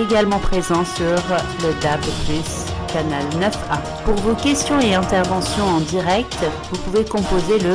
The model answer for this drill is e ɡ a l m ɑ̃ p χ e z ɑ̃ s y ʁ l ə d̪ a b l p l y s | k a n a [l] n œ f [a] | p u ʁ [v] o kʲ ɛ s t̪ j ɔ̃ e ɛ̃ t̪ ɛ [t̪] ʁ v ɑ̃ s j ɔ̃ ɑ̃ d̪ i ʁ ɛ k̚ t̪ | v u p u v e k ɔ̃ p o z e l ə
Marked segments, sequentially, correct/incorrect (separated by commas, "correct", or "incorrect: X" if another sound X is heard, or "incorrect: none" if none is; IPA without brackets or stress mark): correct, correct, correct, incorrect: none